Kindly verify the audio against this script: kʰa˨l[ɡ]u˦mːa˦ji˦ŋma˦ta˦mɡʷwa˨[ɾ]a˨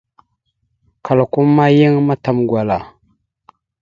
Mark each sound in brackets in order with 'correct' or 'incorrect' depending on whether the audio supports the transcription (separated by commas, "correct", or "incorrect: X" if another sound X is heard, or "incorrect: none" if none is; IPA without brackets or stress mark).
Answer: incorrect: k, incorrect: l